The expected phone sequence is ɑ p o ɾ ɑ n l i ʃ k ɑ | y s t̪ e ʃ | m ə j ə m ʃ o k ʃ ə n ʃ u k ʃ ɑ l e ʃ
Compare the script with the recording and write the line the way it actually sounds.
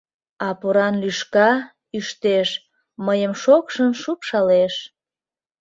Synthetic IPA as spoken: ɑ p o ɾ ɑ n l y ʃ k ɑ | y ʃ t̪ e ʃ | m ə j ə m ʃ o k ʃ ə n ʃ u p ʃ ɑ l e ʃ